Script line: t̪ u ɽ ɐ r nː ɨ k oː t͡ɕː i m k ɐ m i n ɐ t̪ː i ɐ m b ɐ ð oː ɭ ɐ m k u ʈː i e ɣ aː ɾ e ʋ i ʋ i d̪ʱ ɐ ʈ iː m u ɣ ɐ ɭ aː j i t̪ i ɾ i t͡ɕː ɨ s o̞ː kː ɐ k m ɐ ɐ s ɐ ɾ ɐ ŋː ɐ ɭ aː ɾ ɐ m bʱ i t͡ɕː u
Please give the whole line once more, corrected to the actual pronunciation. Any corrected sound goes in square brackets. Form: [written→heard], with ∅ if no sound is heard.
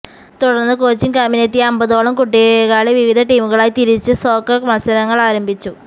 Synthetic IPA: t̪ u ɽ ɐ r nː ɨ k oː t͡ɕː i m k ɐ m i n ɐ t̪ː i ɐ m b ɐ ð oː ɭ ɐ m k u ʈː i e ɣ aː [ɾ→ɭ] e ʋ i ʋ i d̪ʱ ɐ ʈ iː m u ɣ ɐ ɭ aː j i t̪ i ɾ i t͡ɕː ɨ s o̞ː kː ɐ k m ɐ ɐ s ɐ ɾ ɐ ŋː ɐ ɭ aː ɾ ɐ m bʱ i t͡ɕː u